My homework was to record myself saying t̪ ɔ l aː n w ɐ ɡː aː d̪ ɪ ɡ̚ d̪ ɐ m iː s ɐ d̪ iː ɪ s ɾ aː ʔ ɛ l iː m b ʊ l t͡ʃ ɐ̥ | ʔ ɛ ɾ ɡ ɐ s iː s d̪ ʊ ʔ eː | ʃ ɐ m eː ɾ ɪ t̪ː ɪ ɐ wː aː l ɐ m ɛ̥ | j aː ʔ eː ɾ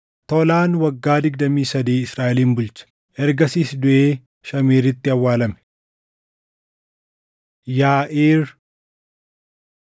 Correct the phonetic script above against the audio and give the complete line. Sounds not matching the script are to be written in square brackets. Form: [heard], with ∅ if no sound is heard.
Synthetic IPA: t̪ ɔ l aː n w ɐ ɡː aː d̪ ɪ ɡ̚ d̪ ɐ m iː s ɐ d̪ iː ɪ s ɾ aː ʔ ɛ l iː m b ʊ l t͡ʃ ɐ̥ | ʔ ɛ ɾ ɡ ɐ s iː s d̪ ʊ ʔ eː | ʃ ɐ m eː ɾ ɪ t̪ː ɪ ɐ wː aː l ɐ m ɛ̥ | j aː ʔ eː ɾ